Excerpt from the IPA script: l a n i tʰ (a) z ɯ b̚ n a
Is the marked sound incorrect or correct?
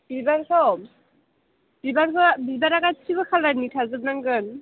correct